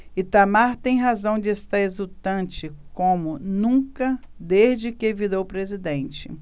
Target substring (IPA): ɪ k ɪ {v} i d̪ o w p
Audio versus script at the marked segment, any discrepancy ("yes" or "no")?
no